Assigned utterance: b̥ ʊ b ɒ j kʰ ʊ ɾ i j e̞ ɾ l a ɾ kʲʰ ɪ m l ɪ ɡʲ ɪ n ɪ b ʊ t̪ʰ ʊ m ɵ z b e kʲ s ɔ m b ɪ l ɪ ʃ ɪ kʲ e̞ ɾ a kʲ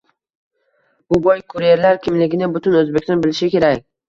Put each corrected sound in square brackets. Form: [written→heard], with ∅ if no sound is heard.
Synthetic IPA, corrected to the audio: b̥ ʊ b ɒ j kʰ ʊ ɾ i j e̞ ɾ l a ɾ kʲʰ ɪ m l ɪ ɡʲ ɪ n ɪ b ʊ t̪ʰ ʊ [m→n] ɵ z b e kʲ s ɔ [m→n] b ɪ l ɪ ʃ ɪ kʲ e̞ ɾ a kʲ